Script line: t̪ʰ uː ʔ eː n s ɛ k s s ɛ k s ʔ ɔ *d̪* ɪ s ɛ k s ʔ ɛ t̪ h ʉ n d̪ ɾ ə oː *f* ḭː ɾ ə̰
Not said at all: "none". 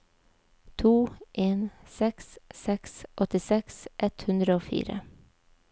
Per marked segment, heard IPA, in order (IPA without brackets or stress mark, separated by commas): t̪, f